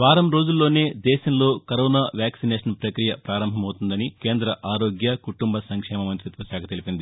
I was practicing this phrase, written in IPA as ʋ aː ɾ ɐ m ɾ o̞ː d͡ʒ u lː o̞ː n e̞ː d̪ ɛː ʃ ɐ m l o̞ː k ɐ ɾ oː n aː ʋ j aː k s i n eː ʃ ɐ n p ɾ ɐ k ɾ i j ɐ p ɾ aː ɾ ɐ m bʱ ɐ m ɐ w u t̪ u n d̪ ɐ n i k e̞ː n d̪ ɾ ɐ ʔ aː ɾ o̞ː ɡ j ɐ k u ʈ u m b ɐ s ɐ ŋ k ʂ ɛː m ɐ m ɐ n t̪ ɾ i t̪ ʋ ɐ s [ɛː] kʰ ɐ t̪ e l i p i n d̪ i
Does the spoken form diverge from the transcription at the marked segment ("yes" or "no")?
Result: yes